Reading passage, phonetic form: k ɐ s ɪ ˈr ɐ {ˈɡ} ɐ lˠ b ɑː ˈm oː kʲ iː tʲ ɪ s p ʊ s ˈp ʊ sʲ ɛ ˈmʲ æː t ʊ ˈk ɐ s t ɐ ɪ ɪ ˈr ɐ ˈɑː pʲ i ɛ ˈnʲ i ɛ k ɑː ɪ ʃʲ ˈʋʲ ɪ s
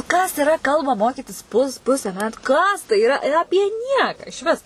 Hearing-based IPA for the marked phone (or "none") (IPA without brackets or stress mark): k